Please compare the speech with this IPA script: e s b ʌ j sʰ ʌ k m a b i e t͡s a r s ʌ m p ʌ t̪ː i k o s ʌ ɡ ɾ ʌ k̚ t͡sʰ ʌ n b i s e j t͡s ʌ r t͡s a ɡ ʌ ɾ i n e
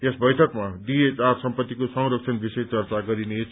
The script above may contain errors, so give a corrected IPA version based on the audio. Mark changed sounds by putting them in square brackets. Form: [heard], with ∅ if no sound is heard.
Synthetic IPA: e s b ʌ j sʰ ʌ k m a [d] i e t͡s a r s ʌ m p ʌ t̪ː i k o s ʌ [ŋ] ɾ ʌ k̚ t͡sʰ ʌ n b i s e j t͡s ʌ r t͡s a ɡ ʌ ɾ i n e